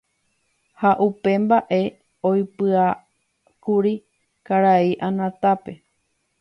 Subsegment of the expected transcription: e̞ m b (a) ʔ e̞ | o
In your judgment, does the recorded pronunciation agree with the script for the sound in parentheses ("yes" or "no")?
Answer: yes